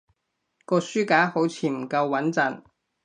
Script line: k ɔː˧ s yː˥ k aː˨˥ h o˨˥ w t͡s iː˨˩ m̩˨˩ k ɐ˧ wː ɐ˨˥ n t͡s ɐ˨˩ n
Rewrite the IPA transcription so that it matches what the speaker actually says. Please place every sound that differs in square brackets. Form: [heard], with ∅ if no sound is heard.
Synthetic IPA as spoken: k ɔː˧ s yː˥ k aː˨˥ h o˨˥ w [t͡sʰ] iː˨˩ m̩˨˩ k ɐ˧ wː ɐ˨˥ n t͡s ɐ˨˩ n